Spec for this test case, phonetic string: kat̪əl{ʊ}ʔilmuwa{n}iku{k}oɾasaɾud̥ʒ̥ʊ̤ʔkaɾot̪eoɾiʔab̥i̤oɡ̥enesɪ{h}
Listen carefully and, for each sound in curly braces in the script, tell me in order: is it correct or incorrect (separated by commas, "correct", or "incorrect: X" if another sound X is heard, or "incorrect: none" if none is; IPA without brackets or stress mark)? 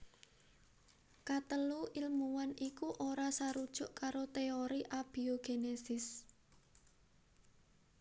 incorrect: u, correct, incorrect: ʔ, incorrect: s